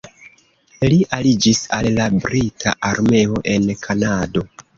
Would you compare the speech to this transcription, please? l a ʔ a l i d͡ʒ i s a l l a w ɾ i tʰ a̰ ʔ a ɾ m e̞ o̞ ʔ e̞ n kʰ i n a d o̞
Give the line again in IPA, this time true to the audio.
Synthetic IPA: l i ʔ a l i d͡ʒ i s a l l a b ɾ i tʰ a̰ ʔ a ɾ m e̞ o̞ ʔ e̞ n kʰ a n a d o̞